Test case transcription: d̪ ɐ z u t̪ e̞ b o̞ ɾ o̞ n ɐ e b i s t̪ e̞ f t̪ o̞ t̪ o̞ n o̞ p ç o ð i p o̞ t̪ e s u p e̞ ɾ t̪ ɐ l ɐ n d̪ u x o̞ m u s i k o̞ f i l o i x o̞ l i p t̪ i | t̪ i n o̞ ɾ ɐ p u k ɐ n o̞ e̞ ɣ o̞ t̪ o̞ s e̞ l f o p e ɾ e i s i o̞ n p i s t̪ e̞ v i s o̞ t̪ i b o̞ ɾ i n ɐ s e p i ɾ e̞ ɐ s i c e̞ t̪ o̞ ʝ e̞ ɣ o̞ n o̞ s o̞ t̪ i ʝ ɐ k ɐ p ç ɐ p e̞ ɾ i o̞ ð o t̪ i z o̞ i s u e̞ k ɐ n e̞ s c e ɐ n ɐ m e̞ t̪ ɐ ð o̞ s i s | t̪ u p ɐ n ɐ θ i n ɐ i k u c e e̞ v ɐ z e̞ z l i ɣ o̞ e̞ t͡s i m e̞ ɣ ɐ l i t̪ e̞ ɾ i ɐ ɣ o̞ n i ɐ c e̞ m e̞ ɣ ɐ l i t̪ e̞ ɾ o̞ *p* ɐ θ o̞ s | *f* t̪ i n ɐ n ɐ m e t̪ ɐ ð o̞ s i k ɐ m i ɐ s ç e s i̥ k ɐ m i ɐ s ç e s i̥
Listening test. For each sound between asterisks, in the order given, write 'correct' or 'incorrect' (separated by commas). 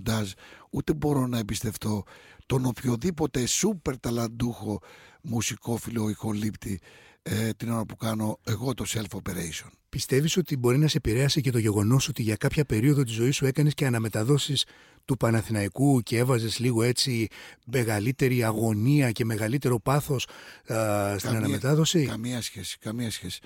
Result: correct, incorrect